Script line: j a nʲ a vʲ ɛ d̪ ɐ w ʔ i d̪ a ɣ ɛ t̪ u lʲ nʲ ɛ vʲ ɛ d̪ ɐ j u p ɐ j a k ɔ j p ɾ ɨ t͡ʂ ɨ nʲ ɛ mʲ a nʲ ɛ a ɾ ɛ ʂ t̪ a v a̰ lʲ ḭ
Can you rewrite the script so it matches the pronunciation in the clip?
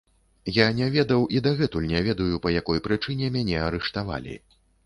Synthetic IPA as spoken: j a nʲ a vʲ ɛ d̪ ɐ w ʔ i d̪ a ɣ ɛ t̪ u lʲ nʲ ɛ vʲ ɛ d̪ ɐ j u p ɐ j a k ɔ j p ɾ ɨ t͡ʂ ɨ nʲ ɛ mʲ a nʲ ɛ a ɾ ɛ ʂ t̪ a v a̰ lʲ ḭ